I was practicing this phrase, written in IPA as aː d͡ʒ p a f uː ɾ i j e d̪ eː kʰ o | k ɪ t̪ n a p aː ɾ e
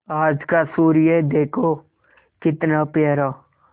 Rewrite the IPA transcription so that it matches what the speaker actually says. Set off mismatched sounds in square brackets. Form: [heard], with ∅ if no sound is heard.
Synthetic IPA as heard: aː d͡ʒ [k] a [s] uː ɾ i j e d̪ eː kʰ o | k ɪ t̪ n a p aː ɾ [a]